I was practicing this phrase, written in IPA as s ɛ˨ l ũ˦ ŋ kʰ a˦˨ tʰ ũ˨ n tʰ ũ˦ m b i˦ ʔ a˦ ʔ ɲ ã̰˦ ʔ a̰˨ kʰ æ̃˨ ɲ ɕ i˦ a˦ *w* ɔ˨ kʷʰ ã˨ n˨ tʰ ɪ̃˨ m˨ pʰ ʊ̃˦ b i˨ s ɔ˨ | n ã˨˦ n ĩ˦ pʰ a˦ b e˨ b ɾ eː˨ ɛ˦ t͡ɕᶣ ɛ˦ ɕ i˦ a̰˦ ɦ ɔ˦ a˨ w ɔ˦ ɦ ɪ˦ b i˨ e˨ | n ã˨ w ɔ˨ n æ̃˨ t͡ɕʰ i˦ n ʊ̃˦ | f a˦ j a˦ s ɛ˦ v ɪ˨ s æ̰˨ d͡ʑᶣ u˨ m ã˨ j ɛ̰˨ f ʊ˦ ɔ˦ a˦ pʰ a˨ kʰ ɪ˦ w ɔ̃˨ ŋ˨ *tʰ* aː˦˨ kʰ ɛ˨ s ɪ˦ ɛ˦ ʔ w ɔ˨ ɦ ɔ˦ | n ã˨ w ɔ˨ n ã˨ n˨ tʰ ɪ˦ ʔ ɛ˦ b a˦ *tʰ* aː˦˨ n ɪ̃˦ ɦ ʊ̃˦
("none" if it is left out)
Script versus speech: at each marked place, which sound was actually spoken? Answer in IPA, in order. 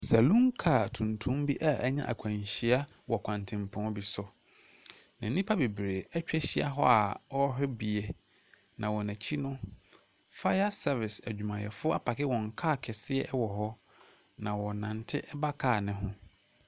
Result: w, kʰ, kʰ

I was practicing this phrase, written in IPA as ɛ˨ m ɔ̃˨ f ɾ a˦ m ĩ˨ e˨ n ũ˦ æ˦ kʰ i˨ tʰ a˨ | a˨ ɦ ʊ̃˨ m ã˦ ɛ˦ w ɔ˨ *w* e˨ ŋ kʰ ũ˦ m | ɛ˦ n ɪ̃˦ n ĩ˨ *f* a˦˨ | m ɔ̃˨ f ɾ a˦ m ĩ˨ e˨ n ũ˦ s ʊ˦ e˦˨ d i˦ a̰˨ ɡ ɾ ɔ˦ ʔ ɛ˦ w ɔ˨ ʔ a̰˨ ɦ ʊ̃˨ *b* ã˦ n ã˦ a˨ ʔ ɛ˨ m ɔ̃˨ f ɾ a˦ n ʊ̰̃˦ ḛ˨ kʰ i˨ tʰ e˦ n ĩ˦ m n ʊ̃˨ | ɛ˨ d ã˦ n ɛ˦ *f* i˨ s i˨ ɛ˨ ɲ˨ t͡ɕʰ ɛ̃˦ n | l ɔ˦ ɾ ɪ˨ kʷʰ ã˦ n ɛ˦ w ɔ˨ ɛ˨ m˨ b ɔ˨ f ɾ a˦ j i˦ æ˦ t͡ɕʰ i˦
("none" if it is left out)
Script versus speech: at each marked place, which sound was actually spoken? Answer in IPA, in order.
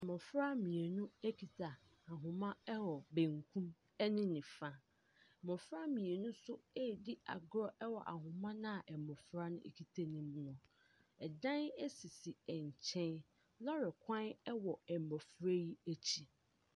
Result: b, f, m, s

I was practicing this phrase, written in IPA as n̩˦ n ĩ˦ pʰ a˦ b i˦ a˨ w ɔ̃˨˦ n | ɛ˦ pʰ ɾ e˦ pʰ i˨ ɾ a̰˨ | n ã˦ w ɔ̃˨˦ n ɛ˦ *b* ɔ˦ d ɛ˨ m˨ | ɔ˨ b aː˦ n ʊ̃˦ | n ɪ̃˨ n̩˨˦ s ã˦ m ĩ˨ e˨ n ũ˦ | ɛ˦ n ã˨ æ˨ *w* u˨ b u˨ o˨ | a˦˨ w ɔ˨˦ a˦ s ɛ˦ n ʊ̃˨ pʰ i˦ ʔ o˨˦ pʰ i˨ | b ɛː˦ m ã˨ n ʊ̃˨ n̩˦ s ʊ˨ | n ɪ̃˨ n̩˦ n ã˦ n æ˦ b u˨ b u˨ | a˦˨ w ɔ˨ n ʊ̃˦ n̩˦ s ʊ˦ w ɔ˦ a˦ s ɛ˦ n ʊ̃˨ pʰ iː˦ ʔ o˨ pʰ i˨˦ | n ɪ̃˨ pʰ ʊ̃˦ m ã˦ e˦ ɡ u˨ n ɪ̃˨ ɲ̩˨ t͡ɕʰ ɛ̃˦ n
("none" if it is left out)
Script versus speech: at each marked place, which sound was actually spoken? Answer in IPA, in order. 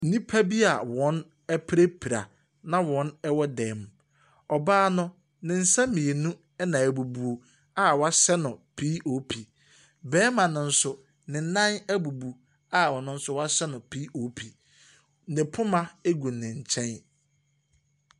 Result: w, b

